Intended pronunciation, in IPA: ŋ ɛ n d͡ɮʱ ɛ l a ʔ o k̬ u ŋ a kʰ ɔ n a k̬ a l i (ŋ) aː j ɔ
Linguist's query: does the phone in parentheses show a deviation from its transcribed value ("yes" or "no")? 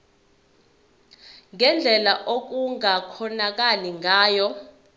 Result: no